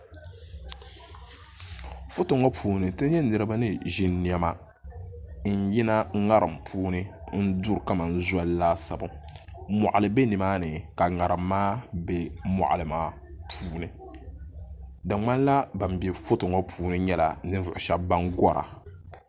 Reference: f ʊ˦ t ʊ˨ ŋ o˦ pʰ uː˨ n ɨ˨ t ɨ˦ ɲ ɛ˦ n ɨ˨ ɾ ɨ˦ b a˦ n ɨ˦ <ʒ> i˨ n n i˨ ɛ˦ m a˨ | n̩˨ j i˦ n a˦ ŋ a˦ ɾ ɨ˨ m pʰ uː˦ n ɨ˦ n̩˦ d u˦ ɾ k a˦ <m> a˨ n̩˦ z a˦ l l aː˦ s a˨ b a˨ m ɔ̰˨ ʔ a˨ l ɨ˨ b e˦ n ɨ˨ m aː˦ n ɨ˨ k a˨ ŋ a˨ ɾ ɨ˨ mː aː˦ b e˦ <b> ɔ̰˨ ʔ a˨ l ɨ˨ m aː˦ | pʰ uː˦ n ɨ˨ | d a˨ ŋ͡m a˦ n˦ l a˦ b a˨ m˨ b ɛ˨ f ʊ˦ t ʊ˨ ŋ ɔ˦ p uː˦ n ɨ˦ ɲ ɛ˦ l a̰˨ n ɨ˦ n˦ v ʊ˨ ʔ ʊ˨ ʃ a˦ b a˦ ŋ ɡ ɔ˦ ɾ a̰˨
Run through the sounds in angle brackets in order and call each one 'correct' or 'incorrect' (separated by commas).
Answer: correct, correct, incorrect